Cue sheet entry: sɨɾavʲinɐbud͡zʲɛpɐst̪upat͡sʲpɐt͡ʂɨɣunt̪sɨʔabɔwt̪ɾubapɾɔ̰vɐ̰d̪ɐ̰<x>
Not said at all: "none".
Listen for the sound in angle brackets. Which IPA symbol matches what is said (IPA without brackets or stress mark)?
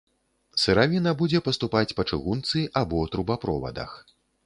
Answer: x